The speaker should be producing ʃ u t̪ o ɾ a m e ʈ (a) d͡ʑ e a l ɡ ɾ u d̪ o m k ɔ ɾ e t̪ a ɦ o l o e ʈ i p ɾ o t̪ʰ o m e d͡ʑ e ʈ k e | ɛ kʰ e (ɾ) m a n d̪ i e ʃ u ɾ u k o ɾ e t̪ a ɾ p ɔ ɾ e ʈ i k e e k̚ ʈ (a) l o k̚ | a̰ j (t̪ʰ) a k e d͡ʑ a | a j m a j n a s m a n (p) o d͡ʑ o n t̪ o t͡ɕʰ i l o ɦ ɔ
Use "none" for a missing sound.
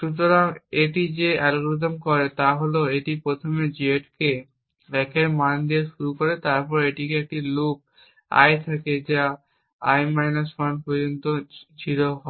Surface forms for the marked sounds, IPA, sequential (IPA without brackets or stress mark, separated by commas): i, ɾ, i, t̪ʰ, p